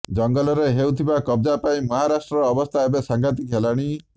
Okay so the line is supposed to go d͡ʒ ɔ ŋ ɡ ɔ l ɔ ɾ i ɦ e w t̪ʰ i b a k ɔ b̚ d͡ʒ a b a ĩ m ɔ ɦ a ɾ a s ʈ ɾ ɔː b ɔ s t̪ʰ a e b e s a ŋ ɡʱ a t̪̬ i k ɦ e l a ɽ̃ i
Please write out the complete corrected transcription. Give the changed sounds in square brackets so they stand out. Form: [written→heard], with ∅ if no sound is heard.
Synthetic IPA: d͡ʒ ɔ ŋ ɡ ɔ l ɔ ɾ [i→e] ɦ e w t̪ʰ i b a k ɔ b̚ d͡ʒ a [b→p] a ĩ m ɔ ɦ a ɾ a s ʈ ɾ ɔː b ɔ s t̪ʰ a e b e s a ŋ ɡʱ a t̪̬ i k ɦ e l a ɽ̃ i